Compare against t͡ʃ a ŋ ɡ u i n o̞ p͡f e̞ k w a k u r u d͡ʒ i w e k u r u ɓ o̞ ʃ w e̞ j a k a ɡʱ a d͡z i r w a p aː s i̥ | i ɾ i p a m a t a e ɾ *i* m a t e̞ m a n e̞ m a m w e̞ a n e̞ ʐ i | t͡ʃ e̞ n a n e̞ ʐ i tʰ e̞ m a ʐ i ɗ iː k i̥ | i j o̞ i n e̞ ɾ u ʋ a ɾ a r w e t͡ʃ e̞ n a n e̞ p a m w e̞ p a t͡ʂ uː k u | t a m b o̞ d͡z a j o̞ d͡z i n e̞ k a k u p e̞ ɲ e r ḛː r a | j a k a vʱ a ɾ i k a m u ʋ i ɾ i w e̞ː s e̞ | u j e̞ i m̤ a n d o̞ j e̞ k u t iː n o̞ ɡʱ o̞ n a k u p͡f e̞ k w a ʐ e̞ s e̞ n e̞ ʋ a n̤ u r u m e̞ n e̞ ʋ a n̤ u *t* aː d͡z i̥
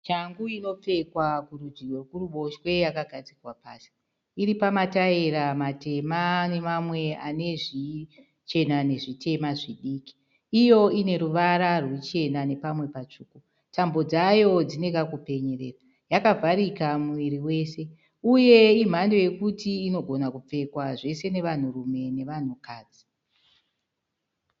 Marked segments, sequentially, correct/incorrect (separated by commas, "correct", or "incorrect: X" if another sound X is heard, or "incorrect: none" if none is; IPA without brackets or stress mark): incorrect: a, incorrect: k